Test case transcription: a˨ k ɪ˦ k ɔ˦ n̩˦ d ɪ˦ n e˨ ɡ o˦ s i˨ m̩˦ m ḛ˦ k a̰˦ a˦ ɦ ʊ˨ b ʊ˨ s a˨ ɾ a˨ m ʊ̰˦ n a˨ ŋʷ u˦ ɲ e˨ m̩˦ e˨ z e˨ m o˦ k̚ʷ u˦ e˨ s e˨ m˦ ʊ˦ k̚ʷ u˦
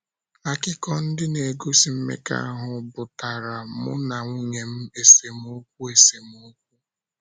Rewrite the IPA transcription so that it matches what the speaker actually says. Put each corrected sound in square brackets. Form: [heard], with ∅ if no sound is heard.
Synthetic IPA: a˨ k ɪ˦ k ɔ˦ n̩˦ d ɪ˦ n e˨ ɡ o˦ s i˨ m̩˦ m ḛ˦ k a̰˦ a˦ ɦ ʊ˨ b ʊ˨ [t] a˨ ɾ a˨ m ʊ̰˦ n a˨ ŋʷ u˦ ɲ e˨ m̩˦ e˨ [s] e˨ m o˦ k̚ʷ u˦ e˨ s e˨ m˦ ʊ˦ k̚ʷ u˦